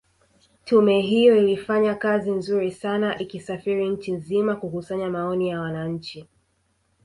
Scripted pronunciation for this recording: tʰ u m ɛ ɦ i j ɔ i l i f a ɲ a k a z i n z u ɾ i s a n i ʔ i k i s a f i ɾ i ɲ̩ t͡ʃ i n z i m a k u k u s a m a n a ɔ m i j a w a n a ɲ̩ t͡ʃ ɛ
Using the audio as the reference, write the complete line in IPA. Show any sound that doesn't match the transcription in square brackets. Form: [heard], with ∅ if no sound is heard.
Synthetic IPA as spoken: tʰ u m ɛ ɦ i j ɔ i l i f a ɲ a k a z i n z u ɾ i s a n [a] ʔ i k i s a f i ɾ i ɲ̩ t͡ʃ i n z i m a k u k u s a [ɲ] a [m] a ɔ [n] i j a w a n a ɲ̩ t͡ʃ [i]